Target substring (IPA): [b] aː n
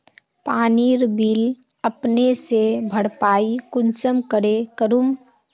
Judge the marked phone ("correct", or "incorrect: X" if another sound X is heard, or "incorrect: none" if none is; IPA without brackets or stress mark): incorrect: p